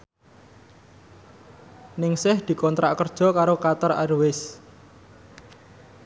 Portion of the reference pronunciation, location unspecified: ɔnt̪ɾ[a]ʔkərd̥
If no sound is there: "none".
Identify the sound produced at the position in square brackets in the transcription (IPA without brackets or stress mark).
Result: a